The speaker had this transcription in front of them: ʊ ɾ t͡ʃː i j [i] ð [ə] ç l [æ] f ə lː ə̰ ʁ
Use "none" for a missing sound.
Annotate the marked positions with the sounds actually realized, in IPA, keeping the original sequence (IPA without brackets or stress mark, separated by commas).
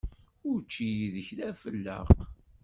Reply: i, ə, æ